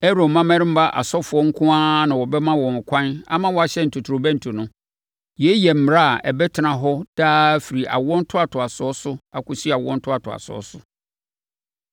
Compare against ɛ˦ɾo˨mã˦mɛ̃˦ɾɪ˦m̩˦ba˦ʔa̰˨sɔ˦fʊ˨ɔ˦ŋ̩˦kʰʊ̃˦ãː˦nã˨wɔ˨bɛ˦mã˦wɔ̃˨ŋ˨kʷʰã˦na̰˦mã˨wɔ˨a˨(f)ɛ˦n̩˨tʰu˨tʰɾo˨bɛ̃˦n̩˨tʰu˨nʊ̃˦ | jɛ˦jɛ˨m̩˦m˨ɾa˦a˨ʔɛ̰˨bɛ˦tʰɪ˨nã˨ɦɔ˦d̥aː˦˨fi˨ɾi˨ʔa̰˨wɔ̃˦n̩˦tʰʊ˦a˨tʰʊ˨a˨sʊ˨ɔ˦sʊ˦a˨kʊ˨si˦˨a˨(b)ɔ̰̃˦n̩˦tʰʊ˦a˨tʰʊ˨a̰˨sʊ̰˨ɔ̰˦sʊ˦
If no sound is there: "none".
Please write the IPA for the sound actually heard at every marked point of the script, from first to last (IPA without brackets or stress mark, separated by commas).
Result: ɕ, w